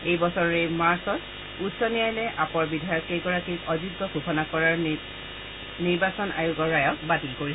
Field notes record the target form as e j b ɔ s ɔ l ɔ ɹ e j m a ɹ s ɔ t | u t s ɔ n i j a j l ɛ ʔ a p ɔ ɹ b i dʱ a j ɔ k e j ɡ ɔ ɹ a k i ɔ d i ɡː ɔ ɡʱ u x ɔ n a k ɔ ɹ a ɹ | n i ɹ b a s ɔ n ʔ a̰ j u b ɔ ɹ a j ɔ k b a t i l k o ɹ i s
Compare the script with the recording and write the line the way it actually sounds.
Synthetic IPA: e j b ɔ s ɔ ɹ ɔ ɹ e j m a ɹ s ɔ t | u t s ɔ n i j a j l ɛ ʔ a p ɔ ɹ b i dʱ a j ɔ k e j ɡ ɔ ɹ a k i ɔ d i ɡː ɔ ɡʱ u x ɔ n a k ɔ ɹ a ɹ | n i ɹ b a s ɔ n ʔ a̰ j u ɡ ɔ ɹ a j ɔ k b a t i l k o ɹ i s